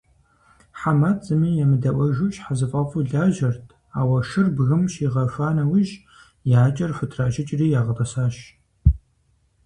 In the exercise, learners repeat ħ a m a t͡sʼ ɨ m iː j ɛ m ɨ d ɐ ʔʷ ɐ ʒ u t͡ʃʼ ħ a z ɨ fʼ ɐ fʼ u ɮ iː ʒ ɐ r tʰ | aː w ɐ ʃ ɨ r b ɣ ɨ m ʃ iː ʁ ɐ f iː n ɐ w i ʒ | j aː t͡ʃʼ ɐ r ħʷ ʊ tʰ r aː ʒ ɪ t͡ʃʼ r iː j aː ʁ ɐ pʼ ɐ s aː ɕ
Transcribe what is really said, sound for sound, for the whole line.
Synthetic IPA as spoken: ħ a m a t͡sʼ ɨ m iː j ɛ m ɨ d ɐ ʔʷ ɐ ʒ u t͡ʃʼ ħ a z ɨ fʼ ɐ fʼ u ɮ aː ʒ ɐ r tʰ | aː w ɐ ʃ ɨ r b ɣ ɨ m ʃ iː ʁ ɐ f aː n ɐ w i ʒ | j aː t͡ʃʼ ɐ r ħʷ ʊ tʰ r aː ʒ ɪ t͡ʃʼ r iː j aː ʁ ɐ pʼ ɐ s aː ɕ